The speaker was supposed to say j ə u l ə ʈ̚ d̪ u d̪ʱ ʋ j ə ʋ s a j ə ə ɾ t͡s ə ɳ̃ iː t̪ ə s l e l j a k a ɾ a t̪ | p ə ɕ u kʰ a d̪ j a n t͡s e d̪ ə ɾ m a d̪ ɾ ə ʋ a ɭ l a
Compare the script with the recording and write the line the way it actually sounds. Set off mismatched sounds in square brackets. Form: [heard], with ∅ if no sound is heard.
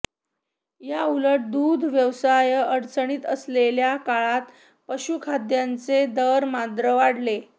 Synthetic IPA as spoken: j [a] u l ə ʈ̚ d̪ u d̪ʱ ʋ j ə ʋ s a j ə ə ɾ t͡s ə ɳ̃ iː t̪ ə s l e l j a k a [ɭ] a t̪ | p ə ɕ u kʰ a d̪ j a n t͡s e d̪ ə ɾ m a d̪ ɾ ə ʋ a [ɽ] l [e]